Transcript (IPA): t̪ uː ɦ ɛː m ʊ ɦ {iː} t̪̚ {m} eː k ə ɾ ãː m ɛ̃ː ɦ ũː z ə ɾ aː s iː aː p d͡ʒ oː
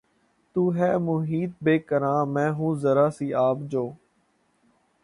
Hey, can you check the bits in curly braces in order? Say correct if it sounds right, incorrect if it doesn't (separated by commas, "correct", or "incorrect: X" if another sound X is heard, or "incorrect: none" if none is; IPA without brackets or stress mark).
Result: correct, incorrect: b